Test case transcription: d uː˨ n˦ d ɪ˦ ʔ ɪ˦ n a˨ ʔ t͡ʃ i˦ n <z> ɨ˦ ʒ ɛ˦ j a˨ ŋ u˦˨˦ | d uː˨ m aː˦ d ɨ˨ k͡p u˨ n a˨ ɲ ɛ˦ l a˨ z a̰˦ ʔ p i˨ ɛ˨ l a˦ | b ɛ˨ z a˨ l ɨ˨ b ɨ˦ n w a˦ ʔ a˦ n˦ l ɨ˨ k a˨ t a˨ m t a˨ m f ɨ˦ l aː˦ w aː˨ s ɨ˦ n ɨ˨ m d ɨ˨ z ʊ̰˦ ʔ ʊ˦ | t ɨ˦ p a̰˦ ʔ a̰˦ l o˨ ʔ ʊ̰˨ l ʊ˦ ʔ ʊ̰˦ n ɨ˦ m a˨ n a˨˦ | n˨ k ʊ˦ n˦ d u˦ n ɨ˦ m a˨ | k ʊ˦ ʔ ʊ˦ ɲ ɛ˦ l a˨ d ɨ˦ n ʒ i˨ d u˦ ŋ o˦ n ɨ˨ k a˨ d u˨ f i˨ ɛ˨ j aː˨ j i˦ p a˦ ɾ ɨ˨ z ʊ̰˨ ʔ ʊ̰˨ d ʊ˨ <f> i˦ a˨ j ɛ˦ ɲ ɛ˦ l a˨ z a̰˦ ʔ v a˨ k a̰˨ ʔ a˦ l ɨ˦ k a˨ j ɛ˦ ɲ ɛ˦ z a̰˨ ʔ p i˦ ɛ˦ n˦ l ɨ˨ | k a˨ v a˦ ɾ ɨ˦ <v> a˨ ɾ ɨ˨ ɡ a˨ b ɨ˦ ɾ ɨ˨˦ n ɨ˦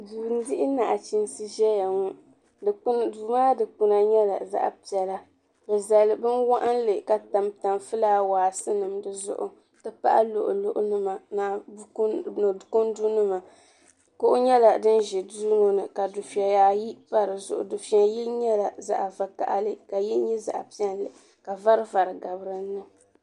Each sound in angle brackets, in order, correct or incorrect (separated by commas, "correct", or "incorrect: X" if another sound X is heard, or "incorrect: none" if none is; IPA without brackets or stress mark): incorrect: s, correct, correct